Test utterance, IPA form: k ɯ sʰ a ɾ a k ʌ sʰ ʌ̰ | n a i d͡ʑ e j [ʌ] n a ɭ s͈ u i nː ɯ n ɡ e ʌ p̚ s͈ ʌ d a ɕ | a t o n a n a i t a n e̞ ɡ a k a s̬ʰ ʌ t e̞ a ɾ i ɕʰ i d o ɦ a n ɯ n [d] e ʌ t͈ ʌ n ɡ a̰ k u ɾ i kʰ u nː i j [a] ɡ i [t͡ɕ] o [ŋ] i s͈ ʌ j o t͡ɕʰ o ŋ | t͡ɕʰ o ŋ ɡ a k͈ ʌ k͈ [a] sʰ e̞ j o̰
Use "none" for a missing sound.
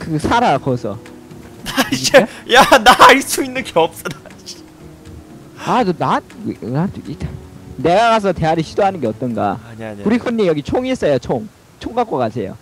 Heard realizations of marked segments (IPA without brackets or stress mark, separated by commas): a, ɡ, ʌ, t͡ɕʰ, ŋ, a